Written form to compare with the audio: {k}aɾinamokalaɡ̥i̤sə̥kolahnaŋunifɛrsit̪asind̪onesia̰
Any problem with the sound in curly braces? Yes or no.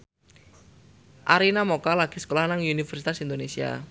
yes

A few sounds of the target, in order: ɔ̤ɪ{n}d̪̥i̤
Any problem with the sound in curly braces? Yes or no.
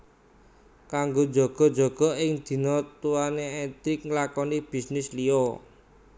yes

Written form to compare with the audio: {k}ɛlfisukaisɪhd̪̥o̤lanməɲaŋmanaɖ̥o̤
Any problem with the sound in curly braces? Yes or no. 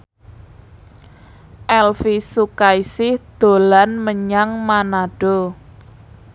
yes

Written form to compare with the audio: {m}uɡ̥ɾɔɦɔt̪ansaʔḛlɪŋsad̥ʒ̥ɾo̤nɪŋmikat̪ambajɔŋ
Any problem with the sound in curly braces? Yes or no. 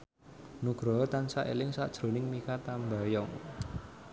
yes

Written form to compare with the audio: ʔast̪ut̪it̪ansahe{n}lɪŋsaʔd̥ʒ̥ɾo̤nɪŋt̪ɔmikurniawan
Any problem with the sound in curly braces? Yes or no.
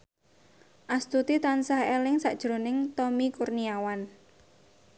yes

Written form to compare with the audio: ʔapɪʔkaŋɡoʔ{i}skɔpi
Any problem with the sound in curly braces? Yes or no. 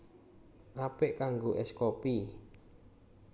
yes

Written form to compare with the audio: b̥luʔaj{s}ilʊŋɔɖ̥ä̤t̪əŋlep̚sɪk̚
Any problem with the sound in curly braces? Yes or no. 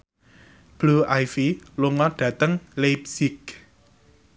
yes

